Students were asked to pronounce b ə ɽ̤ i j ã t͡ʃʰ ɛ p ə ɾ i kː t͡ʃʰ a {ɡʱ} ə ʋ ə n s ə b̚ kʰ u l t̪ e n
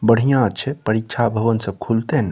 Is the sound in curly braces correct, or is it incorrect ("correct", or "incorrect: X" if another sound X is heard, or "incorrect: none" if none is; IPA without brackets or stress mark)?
incorrect: bʱ